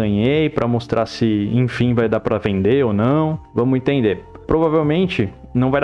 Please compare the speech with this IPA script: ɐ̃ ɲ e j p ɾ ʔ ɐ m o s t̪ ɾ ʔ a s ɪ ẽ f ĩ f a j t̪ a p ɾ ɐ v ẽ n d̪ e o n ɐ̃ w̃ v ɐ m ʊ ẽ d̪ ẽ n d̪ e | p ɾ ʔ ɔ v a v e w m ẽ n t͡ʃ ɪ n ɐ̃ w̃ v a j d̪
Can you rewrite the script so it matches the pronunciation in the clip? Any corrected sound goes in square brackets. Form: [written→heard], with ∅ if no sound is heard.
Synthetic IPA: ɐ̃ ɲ e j p ɾ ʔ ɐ m o s t̪ ɾ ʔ a s ɪ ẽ f ĩ [f→v] a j [t̪→d̪] a p ɾ ɐ v ẽ n d̪ e o n ɐ̃ w̃ v [ɐ→ɐ̃] m ʊ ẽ [d̪→t̪] ẽ n d̪ e | p ɾ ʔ [ɔ→o] v a v e w m ẽ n t͡ʃ ɪ n ɐ̃ w̃ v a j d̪